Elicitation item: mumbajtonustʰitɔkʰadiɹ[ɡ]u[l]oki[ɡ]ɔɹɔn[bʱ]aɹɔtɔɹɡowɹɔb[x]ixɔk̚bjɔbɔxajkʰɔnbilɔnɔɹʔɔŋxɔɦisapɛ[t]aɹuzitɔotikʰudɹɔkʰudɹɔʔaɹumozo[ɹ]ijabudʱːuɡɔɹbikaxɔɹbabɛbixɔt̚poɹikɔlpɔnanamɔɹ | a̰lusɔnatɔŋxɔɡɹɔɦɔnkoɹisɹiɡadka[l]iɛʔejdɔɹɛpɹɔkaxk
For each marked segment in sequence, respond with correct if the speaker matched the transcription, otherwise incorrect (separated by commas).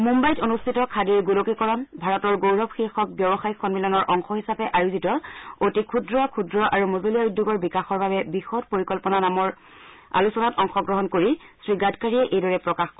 correct, correct, incorrect, correct, correct, incorrect, incorrect, incorrect